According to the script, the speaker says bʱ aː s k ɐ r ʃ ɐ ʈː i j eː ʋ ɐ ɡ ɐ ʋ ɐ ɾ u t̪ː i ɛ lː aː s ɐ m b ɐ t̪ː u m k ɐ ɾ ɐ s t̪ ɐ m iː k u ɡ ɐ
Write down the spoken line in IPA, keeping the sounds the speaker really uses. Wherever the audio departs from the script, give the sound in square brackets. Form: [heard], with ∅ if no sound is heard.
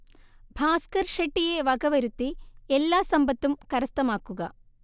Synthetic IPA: bʱ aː s k ɐ [ɾ] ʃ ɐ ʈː i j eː ʋ ɐ ɡ ɐ ʋ ɐ ɾ u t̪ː i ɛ lː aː s ɐ m b ɐ t̪ː u m k ɐ ɾ ɐ s t̪ ɐ m [aː] k u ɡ ɐ